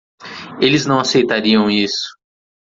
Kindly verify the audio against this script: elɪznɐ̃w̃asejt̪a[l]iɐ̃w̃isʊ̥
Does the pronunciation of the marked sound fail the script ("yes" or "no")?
yes